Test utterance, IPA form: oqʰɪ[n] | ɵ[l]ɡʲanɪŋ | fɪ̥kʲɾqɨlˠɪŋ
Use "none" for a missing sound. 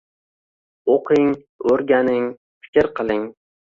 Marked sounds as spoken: ŋ, ɾ

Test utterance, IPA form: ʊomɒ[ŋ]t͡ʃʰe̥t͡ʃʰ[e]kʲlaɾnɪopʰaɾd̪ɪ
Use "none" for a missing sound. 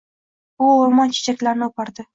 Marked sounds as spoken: n, a

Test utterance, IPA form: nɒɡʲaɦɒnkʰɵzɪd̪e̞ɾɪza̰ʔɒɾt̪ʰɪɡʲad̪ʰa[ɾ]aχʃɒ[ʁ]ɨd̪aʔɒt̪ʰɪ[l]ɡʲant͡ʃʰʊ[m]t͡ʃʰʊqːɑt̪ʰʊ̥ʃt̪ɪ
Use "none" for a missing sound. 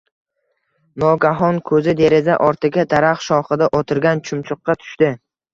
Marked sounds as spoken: ɾ, χ, ɾ, m

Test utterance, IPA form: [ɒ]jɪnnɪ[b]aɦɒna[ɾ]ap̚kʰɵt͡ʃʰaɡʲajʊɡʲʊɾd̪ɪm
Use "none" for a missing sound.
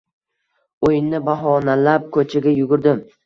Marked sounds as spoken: o, b, l

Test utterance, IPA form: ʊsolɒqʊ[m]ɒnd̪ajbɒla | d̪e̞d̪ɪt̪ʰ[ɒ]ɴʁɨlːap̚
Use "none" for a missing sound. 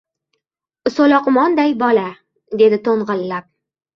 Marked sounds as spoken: m, o

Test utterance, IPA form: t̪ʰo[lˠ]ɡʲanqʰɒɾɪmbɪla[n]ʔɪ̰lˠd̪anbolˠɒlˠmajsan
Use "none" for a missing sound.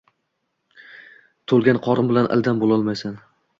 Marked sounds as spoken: lˠ, n

